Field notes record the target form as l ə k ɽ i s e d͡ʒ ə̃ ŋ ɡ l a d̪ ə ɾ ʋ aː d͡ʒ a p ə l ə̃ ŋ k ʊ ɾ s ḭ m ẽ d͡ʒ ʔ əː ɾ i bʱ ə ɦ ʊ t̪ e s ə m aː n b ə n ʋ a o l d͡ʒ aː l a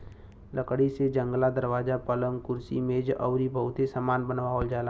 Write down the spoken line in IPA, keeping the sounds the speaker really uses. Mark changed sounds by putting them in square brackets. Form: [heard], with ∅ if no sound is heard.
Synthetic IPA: l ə k ɽ i s e d͡ʒ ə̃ ŋ ɡ l a d̪ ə ɾ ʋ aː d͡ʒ a p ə l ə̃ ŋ k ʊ ɾ s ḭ m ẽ d͡ʒ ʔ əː ɾ i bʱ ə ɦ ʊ t̪ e s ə m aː n b ə n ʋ a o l d͡ʒ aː l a